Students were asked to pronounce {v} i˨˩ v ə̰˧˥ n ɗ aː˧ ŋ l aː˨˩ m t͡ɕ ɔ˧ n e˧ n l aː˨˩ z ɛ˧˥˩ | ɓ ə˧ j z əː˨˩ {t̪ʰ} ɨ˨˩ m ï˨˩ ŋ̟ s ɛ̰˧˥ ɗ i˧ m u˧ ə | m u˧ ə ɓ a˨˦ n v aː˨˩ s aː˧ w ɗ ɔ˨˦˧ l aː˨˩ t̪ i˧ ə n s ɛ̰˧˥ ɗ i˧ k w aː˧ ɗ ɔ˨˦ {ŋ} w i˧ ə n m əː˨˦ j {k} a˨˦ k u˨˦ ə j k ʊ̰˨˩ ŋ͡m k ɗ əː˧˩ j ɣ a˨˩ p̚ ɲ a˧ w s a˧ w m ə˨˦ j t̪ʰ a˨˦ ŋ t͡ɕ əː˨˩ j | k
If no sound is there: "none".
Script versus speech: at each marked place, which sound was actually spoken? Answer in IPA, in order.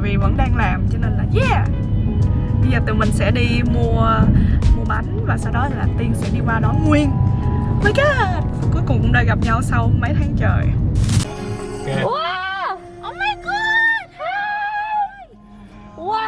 v, t̪, ŋ, k

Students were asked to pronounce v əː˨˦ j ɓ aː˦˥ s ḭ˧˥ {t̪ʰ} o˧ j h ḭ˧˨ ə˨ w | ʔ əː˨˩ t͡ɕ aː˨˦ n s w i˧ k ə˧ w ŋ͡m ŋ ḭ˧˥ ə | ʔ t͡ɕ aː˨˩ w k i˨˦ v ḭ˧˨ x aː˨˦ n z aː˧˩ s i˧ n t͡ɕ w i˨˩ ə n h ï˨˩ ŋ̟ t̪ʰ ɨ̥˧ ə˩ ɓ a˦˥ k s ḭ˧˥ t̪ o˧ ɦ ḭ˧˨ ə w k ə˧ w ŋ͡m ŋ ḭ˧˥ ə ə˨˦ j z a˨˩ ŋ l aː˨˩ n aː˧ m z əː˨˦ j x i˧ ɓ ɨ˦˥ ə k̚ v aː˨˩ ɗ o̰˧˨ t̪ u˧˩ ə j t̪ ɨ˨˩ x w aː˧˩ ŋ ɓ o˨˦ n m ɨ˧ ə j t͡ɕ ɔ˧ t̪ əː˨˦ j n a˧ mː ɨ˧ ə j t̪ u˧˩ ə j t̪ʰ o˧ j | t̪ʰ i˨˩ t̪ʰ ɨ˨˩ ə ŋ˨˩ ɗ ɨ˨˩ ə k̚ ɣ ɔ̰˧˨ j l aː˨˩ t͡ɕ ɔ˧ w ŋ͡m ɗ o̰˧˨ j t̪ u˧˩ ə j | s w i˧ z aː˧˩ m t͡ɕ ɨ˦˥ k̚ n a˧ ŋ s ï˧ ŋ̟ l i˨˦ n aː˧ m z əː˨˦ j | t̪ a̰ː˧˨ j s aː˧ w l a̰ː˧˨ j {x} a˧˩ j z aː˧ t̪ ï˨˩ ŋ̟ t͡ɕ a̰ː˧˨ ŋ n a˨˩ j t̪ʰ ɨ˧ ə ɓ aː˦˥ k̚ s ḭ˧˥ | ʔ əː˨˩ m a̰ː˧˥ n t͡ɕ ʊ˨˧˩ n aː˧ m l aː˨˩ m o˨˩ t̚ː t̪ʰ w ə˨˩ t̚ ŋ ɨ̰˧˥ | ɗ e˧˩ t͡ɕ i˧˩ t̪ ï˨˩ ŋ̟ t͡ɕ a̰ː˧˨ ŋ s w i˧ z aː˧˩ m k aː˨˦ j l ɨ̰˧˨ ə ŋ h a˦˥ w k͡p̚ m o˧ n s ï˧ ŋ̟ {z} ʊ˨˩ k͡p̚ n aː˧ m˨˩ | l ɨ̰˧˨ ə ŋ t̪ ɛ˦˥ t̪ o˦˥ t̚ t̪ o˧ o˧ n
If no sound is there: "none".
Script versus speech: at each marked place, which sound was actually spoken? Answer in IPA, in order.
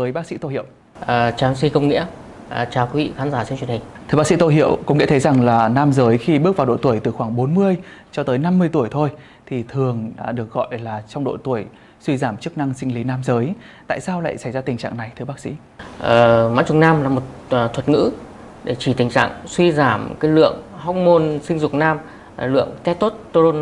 t̪, s, z

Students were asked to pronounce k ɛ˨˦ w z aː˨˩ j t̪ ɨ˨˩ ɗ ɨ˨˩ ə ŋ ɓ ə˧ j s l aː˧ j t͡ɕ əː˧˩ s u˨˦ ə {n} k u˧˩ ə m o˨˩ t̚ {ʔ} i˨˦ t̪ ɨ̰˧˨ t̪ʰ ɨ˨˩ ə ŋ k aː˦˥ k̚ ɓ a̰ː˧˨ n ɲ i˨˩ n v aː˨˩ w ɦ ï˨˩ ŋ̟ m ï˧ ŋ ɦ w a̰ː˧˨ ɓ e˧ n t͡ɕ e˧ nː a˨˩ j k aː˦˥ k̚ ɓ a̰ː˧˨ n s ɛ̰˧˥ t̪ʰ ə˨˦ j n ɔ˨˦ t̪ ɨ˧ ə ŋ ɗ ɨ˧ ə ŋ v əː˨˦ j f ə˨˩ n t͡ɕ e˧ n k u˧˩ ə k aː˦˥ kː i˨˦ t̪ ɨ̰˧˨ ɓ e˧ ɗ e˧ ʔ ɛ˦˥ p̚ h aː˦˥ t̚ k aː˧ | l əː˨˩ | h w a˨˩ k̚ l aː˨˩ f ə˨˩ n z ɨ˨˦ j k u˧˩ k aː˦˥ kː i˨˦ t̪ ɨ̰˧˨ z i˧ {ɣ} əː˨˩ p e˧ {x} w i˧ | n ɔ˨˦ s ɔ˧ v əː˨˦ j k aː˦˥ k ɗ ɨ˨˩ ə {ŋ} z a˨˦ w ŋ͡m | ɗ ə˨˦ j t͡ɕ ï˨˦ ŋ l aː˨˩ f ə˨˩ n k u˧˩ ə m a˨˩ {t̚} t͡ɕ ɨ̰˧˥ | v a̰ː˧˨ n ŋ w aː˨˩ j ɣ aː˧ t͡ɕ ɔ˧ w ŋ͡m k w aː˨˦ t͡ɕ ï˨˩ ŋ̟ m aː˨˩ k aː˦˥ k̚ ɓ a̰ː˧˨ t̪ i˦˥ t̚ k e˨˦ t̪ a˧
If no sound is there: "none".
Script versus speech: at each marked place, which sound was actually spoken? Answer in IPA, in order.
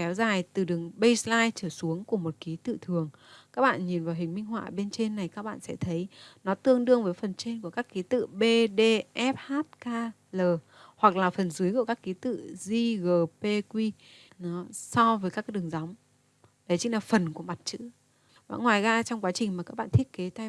ŋ, k, ɣ, k, ŋ, t̚

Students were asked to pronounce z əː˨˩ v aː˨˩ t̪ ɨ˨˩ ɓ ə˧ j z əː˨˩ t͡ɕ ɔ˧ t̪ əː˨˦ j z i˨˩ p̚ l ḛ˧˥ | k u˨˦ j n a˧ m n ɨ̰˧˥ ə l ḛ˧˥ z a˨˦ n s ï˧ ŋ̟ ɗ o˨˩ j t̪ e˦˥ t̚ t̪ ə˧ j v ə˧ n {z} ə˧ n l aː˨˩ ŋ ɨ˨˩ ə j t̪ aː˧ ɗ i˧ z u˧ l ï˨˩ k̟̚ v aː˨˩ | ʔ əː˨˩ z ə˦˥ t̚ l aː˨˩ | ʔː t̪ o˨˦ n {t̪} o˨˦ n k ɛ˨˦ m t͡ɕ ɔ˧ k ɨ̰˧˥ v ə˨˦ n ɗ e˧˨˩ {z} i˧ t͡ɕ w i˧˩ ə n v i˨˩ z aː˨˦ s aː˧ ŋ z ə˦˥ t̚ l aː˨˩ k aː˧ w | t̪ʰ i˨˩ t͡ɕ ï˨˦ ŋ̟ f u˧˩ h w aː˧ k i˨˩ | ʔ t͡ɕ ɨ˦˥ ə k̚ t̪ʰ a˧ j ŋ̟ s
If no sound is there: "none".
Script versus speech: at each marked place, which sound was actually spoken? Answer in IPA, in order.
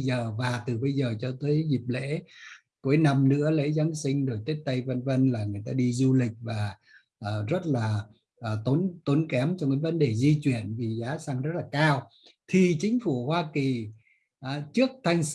v, t̪, z

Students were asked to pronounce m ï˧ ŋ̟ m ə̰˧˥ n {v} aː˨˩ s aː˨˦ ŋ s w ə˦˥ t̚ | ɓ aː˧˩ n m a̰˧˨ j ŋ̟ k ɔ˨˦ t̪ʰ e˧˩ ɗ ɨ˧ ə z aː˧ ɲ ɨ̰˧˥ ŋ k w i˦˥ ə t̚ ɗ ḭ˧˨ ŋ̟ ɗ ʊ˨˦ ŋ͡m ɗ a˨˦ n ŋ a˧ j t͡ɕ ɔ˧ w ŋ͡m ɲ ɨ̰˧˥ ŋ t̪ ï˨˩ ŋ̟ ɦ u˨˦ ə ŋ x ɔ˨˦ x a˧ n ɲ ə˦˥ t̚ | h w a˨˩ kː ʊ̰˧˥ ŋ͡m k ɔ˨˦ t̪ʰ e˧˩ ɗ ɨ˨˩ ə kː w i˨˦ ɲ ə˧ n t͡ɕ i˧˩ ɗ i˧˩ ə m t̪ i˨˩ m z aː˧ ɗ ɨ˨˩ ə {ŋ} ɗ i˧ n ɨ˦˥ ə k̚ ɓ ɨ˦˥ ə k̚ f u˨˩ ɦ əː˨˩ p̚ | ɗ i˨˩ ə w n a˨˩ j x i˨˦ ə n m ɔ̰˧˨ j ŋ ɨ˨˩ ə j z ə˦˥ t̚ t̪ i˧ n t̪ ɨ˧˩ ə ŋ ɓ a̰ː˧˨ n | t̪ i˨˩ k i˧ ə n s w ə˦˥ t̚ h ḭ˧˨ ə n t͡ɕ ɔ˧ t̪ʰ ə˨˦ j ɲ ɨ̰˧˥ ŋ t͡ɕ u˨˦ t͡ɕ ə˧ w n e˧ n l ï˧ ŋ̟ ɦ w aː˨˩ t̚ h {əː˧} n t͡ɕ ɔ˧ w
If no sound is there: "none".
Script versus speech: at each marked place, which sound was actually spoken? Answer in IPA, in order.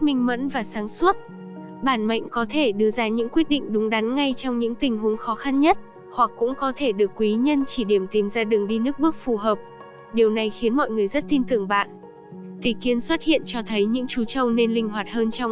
v, ŋ, əː˧

